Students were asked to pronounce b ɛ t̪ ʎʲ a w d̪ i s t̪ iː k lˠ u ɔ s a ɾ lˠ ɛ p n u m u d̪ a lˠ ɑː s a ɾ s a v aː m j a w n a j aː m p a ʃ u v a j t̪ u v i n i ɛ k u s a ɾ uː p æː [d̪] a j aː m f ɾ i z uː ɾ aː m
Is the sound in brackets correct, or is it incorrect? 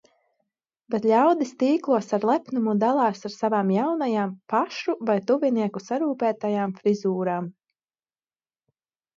incorrect